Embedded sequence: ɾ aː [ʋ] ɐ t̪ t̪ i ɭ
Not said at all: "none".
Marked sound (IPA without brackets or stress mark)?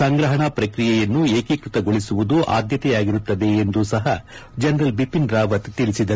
ʋ